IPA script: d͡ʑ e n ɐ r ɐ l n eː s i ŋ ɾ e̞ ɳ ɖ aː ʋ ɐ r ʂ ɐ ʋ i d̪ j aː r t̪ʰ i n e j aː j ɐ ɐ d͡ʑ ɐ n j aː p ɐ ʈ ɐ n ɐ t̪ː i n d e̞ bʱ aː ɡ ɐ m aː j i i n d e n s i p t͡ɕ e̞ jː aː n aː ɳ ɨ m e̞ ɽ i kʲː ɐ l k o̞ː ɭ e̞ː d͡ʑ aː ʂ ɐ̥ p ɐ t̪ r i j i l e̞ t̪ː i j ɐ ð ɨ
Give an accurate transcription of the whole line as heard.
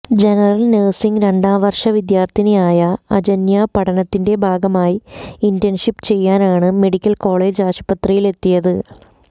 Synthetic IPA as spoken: d͡ʑ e n ɐ r ɐ l n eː s i ŋ ɾ e̞ ɳ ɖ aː ʋ ɐ r ʂ ɐ ʋ i d̪ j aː r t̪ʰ i n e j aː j ɐ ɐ d͡ʑ ɐ n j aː p ɐ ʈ ɐ n ɐ t̪ː i n d e̞ bʱ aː ɡ ɐ m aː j i i n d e n ʂ i p t͡ɕ e̞ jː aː n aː ɳ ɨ m e̞ ɽ i kʲː ɐ l k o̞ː ɭ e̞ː d͡ʑ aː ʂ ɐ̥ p ɐ t̪ r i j i l e̞ t̪ː i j ɐ ð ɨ